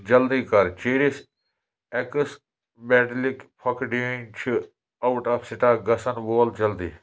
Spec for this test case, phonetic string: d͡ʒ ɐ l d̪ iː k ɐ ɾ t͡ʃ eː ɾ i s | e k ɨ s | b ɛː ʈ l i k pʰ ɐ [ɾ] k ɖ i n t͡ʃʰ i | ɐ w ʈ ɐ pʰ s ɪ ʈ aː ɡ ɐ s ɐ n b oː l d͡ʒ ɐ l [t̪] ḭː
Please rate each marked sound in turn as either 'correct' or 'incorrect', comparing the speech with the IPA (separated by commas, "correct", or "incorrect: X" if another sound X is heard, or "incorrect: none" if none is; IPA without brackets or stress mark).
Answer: incorrect: none, incorrect: d̪